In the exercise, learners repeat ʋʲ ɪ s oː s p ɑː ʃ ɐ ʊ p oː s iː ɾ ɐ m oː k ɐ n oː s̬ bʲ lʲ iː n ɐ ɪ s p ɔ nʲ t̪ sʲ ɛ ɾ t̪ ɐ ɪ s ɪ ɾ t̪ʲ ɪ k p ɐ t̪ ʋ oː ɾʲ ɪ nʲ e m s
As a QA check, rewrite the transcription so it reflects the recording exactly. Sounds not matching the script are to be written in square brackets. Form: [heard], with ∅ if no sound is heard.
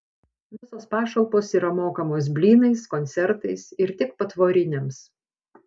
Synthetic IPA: ʋʲ ɪ s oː s p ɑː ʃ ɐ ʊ p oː s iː ɾ ɐ m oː k ɐ [m] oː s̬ bʲ lʲ iː n ɐ ɪ s [k] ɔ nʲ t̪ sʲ ɛ ɾ t̪ ɐ ɪ s ɪ ɾ t̪ʲ ɪ k p ɐ t̪ ʋ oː ɾʲ ɪ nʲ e m s